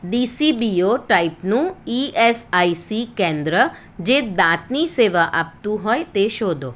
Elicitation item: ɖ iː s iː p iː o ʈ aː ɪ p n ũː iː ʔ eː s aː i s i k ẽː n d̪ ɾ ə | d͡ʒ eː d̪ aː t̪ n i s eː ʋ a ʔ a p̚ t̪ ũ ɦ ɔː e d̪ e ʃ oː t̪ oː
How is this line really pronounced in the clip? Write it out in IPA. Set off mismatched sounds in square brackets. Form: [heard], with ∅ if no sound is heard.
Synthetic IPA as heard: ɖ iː s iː [b] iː o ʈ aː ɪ p n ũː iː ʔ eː s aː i s i k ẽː n d̪ ɾ ə | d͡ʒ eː d̪ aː t̪ n i s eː ʋ a ʔ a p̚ t̪ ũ ɦ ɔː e [t̪] e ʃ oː [d̪] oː

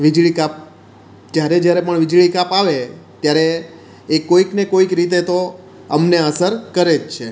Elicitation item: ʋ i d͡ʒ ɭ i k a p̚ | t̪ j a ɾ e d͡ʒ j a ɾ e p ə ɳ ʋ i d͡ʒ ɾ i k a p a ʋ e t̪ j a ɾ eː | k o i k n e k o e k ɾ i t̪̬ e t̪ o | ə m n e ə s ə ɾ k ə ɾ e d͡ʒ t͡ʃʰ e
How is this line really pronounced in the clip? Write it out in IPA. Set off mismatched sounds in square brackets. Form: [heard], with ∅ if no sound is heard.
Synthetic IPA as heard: ʋ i d͡ʒ ɭ i k a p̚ | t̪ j a ɾ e d͡ʒ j a ɾ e p ə ɳ ʋ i d͡ʒ [ɭ] i k a p a ʋ e t̪ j a ɾ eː | k o i k n e k o [i] k ɾ i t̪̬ e t̪ o | ə m n e ə s ə ɾ k ə ɾ e d͡ʒ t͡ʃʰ e

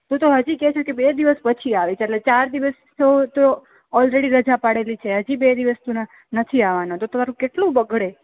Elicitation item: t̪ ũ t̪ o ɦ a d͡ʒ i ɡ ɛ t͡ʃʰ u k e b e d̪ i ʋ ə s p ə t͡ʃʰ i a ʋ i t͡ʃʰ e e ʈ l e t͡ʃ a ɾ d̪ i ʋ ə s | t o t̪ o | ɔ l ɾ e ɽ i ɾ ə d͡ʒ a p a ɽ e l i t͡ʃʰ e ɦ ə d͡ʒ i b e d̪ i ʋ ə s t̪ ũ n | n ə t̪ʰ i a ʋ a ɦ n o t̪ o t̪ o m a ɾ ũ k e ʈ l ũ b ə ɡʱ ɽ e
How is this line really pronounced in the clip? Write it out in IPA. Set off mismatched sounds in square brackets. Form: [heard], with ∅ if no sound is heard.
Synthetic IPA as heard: t̪ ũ t̪ o ɦ [ə] d͡ʒ i [k] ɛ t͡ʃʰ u k e b e d̪ i ʋ ə s p ə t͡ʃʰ i a ʋ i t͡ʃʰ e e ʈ l e t͡ʃ a ɾ d̪ i ʋ ə s | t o t̪ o | ɔ l ɾ e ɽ i ɾ ə d͡ʒ a p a ɽ e l i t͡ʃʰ e ɦ ə d͡ʒ i b e d̪ i ʋ ə s t̪ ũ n | n ə t̪ʰ i a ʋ a [∅] n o t̪ o t̪ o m a ɾ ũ k e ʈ l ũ b ə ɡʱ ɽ e

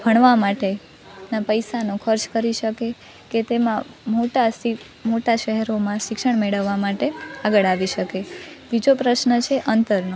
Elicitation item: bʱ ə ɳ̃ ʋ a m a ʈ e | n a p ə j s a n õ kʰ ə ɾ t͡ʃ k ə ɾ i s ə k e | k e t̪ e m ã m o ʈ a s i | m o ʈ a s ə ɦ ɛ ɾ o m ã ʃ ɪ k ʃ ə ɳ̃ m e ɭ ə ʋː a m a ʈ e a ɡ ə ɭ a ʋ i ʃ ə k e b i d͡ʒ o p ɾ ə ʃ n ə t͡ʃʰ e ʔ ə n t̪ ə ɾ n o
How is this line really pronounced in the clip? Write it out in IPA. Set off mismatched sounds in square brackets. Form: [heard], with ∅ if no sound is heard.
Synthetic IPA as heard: bʱ ə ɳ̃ ʋ a m a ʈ e | n a p ə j s a n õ kʰ ə ɾ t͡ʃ k ə ɾ i [ʃ] ə k e | k e t̪ e m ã m o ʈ a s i | m o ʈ a [ʃ] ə ɦ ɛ ɾ o m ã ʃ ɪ k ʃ ə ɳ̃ m e ɭ ə ʋː a m a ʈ e a ɡ ə ɭ a ʋ i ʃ ə k e b i d͡ʒ o p ɾ ə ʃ n ə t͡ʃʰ e ʔ ə n t̪ ə ɾ n o

